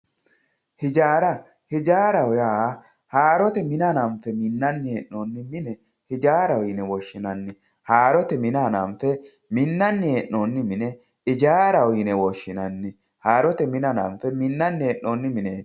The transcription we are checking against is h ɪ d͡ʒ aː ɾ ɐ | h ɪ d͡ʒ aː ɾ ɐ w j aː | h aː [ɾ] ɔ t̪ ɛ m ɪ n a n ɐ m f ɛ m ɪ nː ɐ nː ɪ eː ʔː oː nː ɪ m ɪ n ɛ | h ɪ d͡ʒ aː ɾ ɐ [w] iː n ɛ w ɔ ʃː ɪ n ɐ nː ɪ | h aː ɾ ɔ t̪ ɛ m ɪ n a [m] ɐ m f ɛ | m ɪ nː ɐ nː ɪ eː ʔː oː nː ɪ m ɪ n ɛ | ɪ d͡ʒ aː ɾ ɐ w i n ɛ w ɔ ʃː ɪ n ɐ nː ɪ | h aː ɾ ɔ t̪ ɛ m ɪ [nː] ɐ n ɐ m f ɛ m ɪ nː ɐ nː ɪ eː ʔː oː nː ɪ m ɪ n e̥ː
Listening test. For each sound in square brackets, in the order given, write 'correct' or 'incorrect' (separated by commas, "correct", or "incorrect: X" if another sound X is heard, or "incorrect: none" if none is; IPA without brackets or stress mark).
correct, correct, incorrect: n, incorrect: n